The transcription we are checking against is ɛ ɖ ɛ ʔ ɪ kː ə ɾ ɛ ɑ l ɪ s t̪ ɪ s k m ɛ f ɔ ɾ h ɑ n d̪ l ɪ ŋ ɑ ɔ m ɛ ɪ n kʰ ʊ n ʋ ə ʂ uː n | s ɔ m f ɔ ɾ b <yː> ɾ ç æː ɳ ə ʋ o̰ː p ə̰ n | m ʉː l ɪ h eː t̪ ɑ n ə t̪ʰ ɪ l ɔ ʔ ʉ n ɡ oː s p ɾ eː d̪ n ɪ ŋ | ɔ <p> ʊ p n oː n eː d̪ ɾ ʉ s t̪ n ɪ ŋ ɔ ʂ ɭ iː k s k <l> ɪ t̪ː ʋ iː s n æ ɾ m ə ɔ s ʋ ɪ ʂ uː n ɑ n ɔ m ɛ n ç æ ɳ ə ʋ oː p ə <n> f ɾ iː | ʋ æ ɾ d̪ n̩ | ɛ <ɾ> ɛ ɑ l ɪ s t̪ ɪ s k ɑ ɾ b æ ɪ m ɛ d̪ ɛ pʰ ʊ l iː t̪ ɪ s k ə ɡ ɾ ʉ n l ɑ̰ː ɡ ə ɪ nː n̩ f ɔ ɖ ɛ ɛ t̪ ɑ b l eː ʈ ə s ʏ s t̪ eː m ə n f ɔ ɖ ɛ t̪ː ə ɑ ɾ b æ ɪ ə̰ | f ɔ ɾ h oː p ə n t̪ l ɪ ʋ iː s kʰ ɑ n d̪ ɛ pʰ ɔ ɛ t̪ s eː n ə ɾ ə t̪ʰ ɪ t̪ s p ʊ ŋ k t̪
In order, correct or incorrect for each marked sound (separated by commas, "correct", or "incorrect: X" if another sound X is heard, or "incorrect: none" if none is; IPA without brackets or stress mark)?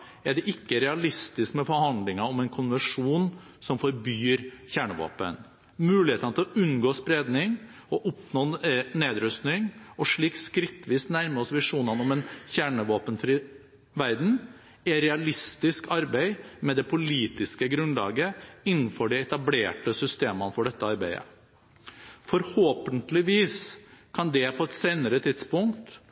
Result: correct, incorrect: ʔ, incorrect: ɾ, correct, correct